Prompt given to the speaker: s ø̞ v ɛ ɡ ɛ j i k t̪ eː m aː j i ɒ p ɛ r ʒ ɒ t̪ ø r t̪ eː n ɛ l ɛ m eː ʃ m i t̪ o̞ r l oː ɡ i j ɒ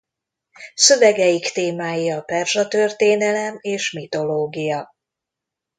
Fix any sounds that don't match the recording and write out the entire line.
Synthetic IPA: s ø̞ v ɛ ɡ ɛ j i k t̪ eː m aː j i ɒ p ɛ r ʒ ɒ t̪ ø r t̪ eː n ɛ l ɛ m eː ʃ m i t̪ o̞ l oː ɡ i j ɒ